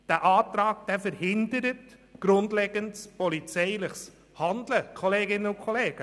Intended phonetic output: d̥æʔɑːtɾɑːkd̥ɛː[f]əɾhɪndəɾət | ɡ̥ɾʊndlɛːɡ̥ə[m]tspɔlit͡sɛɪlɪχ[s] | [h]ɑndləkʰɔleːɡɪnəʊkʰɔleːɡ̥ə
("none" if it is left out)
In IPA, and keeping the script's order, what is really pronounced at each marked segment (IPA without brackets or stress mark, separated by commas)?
f, n, s, h